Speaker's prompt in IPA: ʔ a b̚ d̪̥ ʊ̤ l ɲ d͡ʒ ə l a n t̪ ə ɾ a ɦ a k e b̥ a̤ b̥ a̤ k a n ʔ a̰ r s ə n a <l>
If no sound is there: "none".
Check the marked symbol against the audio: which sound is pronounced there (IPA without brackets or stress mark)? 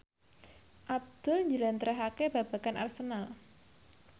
l